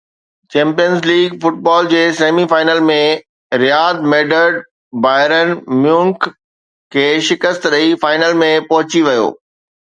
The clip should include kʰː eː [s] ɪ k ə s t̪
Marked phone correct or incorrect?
incorrect: ʃ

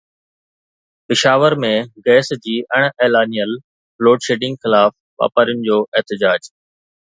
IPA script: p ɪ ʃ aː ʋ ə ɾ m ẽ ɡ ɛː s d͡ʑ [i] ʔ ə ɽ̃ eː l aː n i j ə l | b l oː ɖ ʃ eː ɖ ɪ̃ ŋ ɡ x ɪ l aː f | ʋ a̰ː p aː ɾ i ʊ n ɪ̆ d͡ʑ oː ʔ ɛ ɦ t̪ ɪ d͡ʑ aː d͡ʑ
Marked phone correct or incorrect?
incorrect: iː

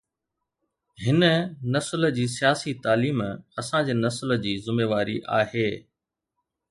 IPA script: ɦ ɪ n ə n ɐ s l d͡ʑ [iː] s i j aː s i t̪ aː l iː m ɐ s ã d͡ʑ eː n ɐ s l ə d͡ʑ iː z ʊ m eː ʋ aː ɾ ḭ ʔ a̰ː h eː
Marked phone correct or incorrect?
correct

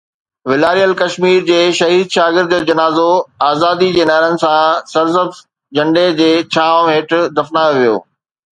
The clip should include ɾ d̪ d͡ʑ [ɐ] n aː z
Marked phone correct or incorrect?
correct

